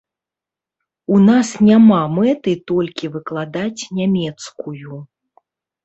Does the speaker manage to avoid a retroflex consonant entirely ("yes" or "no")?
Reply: yes